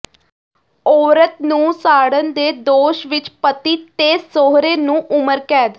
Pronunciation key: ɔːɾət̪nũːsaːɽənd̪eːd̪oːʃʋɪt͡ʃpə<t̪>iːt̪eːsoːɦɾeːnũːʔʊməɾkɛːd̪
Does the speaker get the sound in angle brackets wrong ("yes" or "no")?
no